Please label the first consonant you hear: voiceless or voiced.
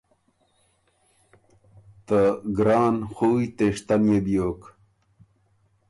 voiceless